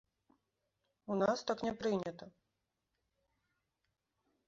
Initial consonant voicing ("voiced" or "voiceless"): voiced